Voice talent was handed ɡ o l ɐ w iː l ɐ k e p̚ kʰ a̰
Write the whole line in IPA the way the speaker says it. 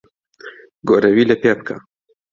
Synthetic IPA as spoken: ɡ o ɾ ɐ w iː l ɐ p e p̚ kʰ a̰